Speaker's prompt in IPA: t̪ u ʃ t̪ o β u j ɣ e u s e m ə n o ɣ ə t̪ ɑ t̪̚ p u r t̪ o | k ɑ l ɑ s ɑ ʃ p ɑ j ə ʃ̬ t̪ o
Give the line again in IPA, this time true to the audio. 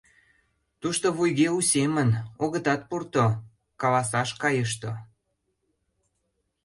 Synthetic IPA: t̪ u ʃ t̪ o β u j ɣ e u s e m ə n o ɣ ə t̪ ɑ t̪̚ p u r t̪ o | k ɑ l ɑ s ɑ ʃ k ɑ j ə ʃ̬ t̪ o